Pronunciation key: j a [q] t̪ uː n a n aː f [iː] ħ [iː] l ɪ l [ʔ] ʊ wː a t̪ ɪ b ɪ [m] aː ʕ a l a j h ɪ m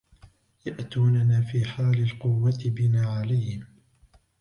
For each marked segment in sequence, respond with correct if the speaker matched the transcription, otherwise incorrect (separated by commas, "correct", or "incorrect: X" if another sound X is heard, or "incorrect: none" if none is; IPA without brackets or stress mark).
incorrect: ʔ, correct, incorrect: aː, incorrect: q, incorrect: n